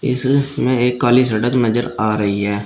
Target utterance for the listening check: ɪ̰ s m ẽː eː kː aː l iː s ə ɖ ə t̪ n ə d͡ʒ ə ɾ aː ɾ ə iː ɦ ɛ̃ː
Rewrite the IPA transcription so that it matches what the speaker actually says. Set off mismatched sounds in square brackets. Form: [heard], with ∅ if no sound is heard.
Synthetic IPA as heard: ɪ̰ s m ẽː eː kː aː l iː s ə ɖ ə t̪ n ə d͡ʒ ə ɾ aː ɾ ə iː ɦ [ɛː]